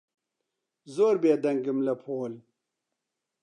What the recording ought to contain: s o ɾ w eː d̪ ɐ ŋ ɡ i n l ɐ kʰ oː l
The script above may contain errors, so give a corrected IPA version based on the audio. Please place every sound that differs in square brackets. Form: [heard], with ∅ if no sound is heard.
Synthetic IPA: [z] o ɾ [b] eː d̪ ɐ ŋ ɡ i [m] l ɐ [pʰ] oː l